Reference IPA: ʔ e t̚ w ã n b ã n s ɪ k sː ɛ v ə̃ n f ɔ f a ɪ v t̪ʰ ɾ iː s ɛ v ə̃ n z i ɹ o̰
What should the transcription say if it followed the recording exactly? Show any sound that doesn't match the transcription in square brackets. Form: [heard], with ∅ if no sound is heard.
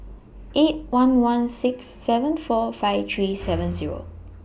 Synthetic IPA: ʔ e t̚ w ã n [w] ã n s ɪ k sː ɛ v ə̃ n f ɔ f a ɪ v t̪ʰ [ɹ] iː s ɛ v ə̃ n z i ɹ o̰